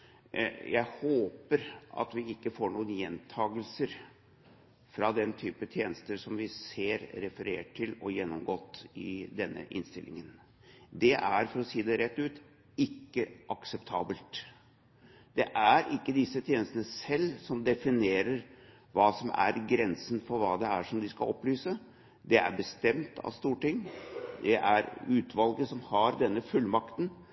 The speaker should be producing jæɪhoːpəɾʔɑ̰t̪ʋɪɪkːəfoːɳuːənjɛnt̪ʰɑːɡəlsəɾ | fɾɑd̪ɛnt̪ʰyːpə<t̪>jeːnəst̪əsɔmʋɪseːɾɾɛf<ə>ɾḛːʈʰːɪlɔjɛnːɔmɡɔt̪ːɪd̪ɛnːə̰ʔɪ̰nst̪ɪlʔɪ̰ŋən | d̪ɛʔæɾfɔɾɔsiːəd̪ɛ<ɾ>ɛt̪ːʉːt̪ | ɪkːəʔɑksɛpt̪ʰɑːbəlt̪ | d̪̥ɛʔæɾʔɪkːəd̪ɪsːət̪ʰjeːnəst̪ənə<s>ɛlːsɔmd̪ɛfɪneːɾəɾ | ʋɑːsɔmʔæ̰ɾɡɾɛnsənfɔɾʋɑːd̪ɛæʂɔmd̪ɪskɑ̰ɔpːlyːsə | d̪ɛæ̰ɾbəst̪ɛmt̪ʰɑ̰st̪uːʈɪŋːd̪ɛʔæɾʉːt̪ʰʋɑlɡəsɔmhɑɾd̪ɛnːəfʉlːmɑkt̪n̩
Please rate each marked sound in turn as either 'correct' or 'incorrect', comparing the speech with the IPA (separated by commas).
incorrect, correct, correct, correct